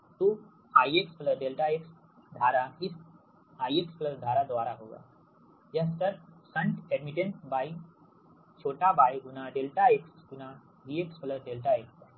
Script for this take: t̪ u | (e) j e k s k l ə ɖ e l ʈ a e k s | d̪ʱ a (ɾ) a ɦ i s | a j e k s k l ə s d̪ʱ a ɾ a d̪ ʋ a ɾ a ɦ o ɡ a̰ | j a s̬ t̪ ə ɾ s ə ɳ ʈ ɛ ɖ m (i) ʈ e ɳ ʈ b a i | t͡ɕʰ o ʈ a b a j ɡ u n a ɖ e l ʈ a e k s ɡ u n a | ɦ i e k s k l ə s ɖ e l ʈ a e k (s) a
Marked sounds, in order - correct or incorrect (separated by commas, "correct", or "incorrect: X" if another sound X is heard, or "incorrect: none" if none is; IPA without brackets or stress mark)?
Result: incorrect: a, correct, correct, correct